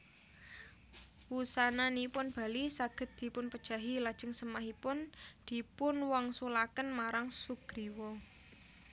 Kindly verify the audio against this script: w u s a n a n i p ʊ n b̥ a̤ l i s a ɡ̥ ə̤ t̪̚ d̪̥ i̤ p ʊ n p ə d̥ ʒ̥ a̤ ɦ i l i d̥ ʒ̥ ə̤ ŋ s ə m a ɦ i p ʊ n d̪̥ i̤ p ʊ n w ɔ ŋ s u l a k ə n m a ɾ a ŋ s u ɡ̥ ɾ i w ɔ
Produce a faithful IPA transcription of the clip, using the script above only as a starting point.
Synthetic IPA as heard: w u s a n a n i p ʊ n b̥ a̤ l i s a ɡ̥ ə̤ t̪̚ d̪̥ i̤ p ʊ n p ə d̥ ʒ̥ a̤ ɦ i l a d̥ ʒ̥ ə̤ ŋ s ə m a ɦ i p ʊ n d̪̥ i̤ p ʊ n w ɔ ŋ s u l a k ə n m a ɾ a ŋ s u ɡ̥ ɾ i w ɔ